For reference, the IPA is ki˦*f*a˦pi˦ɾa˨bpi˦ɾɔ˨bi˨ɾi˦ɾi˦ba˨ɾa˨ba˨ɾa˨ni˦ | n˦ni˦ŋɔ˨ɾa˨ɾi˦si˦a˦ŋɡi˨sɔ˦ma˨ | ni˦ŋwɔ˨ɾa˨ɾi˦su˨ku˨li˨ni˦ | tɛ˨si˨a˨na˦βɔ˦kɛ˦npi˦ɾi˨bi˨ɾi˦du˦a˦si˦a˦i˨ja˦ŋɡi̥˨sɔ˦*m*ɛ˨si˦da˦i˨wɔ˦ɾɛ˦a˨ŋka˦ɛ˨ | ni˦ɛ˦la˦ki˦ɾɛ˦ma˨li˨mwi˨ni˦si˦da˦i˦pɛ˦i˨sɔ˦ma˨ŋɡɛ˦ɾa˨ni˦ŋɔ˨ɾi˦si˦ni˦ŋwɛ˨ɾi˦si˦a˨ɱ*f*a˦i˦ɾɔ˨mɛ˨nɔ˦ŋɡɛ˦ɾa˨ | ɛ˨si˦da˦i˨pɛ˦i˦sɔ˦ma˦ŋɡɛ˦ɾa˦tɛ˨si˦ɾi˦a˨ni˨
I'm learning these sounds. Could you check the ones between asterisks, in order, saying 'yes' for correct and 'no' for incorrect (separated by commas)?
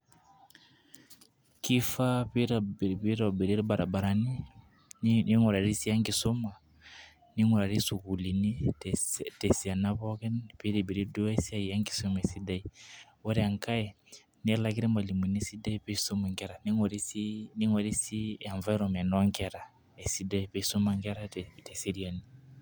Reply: yes, yes, no